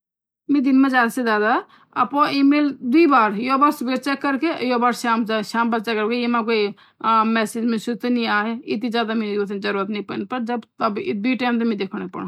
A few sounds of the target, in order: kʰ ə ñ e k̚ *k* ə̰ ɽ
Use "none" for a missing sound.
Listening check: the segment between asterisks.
p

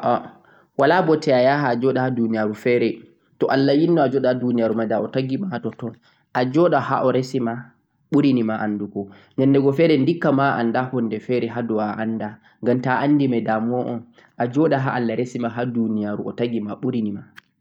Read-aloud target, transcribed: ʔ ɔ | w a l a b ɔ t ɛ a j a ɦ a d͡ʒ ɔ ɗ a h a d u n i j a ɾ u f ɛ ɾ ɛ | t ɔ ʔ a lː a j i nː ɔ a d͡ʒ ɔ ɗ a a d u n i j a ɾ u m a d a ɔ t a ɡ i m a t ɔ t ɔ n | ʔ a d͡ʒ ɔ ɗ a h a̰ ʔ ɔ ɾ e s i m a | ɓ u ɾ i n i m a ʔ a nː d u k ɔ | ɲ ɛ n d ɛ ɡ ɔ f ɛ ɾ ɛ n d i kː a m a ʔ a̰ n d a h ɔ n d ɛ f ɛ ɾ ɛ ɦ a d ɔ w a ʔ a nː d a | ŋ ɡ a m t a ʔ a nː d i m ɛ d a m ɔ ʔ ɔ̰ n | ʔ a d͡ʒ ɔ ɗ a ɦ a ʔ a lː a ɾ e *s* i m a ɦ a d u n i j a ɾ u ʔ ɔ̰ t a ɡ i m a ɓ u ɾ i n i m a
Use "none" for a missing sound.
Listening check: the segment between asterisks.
s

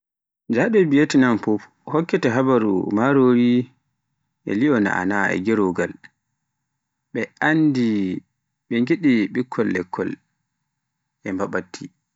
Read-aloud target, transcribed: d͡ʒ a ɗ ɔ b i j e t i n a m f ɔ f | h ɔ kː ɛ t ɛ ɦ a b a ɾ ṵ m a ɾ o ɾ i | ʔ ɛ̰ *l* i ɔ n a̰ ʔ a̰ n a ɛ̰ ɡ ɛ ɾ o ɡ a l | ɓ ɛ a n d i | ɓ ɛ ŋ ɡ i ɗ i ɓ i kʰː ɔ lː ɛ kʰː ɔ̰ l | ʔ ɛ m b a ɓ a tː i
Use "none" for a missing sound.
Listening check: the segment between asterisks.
l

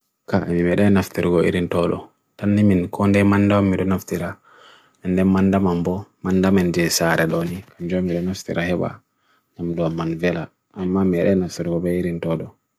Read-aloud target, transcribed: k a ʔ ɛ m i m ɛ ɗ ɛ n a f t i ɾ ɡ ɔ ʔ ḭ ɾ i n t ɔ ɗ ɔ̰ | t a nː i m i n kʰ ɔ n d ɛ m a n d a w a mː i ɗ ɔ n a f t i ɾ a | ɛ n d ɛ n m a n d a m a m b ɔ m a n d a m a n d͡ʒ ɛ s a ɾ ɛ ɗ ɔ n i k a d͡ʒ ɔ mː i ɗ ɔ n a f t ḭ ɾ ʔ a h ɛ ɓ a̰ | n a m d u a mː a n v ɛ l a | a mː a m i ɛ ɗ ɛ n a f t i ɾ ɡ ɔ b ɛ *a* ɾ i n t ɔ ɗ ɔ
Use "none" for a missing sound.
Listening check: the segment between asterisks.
i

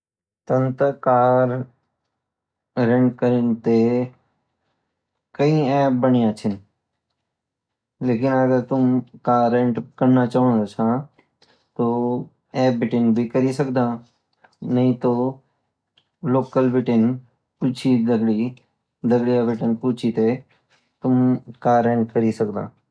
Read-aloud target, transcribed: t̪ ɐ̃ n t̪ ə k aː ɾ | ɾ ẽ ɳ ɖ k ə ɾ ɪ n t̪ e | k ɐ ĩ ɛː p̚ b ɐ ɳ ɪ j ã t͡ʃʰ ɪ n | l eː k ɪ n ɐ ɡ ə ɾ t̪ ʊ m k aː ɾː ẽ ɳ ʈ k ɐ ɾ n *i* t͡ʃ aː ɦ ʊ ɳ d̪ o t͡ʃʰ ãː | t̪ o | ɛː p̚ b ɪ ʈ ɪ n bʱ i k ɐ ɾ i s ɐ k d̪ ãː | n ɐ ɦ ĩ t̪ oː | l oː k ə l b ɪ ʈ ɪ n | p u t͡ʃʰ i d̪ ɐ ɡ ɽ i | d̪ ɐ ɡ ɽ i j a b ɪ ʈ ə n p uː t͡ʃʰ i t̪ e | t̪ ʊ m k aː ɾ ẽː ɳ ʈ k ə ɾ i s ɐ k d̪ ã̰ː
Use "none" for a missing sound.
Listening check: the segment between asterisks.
a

